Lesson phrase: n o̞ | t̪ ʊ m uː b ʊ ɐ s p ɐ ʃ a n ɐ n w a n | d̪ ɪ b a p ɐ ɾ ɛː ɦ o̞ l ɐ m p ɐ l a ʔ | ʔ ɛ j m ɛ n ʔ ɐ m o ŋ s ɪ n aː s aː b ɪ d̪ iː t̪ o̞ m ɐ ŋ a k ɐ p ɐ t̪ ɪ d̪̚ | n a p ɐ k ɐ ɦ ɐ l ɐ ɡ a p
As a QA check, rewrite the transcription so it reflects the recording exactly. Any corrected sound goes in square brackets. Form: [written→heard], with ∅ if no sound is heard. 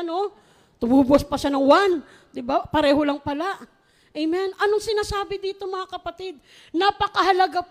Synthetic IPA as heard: n o̞ | t̪ ʊ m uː b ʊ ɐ s p ɐ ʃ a n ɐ [n→ŋ] w a n | d̪ ɪ b a p ɐ ɾ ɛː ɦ o̞ l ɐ [m→ŋ] p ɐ l a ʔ | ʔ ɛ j m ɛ n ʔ ɐ [m→n] o ŋ s ɪ n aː s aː b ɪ d̪ iː t̪ o̞ m ɐ ŋ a k ɐ p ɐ t̪ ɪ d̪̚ | n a p ɐ k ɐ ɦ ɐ l ɐ ɡ a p